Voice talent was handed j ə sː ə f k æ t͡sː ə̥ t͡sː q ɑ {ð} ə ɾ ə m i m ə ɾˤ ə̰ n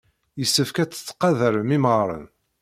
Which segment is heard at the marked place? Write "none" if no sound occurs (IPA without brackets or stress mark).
ð